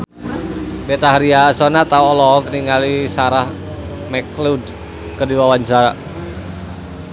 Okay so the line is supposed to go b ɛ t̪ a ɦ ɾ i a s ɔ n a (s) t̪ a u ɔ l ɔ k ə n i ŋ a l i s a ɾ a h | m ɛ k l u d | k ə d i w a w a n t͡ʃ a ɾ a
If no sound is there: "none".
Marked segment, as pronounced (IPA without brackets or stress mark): none